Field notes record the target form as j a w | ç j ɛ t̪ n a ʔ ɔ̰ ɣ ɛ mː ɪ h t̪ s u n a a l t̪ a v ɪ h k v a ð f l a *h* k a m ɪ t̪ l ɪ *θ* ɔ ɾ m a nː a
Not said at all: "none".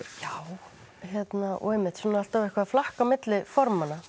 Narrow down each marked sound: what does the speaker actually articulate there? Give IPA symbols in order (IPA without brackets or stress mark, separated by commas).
h, f